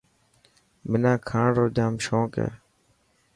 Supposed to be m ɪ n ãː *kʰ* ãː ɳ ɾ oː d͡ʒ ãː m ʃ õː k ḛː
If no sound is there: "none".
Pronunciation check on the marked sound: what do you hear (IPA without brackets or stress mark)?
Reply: kʰ